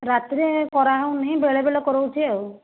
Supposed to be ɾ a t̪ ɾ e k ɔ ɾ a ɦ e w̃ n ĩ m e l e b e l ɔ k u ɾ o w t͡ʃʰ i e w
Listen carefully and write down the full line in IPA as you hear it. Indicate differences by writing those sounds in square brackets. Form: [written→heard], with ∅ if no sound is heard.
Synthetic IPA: ɾ a t̪ ɾ e k ɔ ɾ a ɦ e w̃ n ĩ [m→b] e [l→ɭ] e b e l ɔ k [u→ɔ] ɾ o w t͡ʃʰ i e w